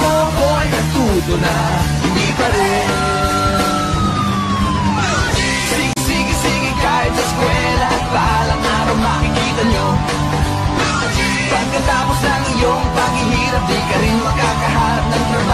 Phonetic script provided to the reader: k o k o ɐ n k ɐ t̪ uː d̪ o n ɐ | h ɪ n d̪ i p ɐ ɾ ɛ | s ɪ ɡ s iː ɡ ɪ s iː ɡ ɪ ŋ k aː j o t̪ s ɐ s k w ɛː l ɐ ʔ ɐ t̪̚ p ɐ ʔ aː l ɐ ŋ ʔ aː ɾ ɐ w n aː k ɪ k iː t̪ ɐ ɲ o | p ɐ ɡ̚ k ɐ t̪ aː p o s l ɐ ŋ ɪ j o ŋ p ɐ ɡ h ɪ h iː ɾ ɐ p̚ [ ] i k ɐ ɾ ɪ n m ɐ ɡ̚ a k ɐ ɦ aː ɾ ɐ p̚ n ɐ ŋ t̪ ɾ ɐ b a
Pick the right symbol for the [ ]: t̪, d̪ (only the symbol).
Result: d̪